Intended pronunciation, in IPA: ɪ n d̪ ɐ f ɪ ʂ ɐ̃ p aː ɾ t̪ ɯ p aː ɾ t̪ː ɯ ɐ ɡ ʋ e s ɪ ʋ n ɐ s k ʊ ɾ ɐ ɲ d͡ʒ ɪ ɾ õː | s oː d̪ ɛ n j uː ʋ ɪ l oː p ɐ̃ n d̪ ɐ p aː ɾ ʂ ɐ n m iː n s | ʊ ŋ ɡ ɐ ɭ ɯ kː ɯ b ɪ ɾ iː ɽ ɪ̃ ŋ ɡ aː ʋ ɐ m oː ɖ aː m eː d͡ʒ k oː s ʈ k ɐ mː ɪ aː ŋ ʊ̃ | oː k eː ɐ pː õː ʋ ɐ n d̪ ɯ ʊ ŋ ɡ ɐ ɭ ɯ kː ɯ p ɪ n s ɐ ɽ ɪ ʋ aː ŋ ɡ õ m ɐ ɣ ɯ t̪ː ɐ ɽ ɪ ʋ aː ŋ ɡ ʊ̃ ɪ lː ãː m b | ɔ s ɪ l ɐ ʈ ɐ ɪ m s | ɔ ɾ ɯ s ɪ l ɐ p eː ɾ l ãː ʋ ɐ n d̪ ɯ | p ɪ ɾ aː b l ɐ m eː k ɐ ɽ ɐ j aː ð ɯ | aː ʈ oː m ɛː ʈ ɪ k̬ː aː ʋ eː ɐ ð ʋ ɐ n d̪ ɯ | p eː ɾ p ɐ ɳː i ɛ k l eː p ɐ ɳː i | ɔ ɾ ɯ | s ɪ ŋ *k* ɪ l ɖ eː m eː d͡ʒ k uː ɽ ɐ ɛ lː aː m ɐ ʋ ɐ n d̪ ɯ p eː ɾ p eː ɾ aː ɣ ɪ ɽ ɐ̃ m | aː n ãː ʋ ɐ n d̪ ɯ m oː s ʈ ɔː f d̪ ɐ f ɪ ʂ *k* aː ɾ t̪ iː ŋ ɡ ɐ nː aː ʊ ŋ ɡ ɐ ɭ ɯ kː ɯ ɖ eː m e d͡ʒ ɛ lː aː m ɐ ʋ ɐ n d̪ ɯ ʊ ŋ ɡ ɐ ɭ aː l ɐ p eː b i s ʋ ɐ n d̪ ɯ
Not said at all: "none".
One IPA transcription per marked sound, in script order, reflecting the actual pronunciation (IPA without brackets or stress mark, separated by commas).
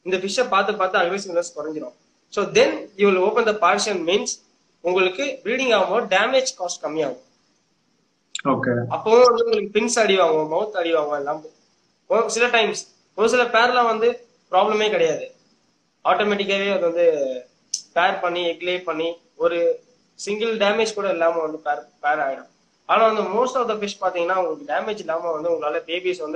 ɡ, p